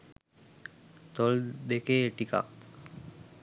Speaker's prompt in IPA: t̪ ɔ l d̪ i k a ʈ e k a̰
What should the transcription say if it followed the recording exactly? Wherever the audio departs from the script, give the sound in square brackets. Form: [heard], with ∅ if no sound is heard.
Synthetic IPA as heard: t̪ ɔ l d̪ [e] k [e] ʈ [i] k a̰